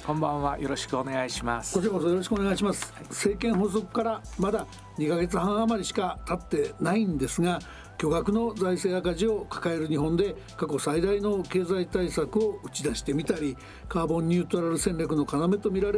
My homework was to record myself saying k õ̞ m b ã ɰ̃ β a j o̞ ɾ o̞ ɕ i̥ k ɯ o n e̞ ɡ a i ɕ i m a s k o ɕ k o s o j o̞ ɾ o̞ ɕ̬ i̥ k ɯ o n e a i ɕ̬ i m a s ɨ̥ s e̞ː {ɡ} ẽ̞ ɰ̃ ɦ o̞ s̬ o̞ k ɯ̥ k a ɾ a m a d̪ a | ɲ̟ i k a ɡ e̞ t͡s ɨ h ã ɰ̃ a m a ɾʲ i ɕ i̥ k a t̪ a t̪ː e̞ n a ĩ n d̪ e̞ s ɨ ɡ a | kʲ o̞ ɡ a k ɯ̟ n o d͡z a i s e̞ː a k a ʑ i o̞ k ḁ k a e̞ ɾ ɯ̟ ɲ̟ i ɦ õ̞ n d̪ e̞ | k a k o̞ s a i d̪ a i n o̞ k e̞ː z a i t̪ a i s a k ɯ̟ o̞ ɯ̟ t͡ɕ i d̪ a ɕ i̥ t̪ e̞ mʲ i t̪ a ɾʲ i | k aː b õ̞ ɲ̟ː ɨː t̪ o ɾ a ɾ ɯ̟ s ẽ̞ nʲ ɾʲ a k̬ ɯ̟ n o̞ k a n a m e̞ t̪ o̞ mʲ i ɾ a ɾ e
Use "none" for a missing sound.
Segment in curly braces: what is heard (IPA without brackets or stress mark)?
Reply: k